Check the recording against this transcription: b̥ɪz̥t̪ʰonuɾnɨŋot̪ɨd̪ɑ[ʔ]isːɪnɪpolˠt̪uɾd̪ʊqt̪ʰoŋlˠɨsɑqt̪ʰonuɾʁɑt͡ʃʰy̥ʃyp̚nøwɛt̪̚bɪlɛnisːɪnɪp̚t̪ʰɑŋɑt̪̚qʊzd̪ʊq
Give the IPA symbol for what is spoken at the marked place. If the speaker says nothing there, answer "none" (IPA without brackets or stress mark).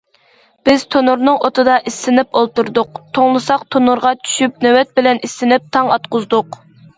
ʔ